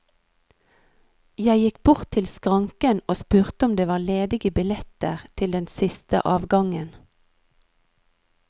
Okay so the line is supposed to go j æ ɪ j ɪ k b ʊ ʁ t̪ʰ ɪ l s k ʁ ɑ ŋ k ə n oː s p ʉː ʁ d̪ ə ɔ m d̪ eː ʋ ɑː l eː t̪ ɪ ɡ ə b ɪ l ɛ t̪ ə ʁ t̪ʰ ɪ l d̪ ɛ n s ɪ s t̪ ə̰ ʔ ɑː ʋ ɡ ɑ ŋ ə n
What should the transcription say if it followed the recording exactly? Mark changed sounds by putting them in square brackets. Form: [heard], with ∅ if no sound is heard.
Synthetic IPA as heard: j æ ɪ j ɪ k b ʊ ʁ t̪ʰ ɪ l s k ʁ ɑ ŋ k ə n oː s p ʉː ʁ [t̪] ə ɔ m d̪ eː ʋ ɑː l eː [d̪] ɪ ɡ ə b ɪ l ɛ t̪ ə ʁ t̪ʰ ɪ l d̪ ɛ n s ɪ s t̪ ə̰ ʔ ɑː ʋ ɡ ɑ ŋ ə n